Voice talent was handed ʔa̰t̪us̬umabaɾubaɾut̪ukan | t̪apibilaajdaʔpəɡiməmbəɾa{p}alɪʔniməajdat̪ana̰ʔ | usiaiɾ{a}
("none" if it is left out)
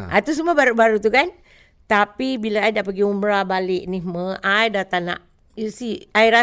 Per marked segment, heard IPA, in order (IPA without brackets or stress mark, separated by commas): b, a